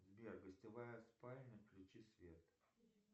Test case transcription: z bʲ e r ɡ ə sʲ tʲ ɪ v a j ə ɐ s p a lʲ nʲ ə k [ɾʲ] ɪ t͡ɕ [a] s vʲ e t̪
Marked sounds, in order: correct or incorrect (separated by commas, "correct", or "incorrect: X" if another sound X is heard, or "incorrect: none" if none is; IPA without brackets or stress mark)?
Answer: incorrect: lʲ, incorrect: i